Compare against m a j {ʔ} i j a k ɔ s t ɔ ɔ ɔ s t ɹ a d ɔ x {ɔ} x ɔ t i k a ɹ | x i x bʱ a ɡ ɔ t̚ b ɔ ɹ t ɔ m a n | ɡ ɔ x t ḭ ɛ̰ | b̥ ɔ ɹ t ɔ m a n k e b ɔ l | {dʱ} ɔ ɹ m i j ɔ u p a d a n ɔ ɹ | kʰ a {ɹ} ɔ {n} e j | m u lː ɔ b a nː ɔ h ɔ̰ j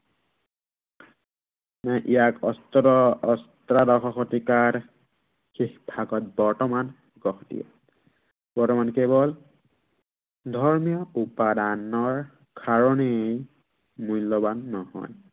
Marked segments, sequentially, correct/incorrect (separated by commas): correct, correct, correct, correct, correct